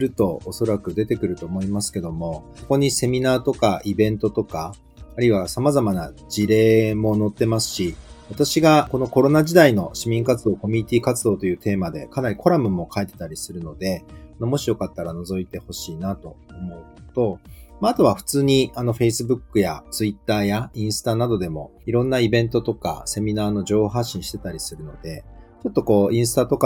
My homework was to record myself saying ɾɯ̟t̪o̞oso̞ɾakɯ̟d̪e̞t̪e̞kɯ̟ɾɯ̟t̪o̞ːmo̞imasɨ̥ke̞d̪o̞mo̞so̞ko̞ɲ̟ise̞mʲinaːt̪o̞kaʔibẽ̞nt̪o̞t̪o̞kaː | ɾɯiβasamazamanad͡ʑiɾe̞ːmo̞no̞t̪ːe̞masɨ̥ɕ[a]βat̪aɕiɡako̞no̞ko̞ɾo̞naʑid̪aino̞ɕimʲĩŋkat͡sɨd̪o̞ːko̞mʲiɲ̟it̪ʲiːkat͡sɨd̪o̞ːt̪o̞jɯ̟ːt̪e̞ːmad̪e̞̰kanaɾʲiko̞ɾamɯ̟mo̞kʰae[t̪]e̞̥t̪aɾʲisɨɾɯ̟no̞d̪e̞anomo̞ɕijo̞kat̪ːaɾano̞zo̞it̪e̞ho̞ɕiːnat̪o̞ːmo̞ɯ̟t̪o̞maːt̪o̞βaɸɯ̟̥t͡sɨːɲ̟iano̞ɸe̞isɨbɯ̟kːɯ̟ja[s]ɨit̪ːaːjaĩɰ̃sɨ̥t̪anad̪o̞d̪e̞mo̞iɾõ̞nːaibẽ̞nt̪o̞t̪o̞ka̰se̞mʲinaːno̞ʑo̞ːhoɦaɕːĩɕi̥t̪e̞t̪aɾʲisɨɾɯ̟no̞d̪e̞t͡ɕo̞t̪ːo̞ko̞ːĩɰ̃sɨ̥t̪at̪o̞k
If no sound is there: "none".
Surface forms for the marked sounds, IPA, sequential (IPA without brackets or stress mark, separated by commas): i, t̪, t͡s